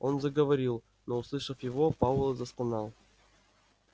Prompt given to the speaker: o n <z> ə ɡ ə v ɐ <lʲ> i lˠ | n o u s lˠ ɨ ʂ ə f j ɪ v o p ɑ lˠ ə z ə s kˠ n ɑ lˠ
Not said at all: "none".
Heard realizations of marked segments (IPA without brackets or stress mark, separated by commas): z, ɾʲ